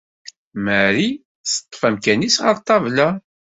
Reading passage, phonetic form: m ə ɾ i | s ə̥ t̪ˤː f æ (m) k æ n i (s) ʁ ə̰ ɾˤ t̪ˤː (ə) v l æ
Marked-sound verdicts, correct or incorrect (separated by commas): correct, correct, incorrect